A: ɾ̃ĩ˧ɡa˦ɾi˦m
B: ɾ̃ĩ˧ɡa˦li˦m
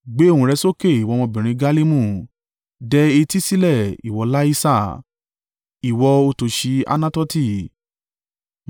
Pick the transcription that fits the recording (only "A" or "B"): B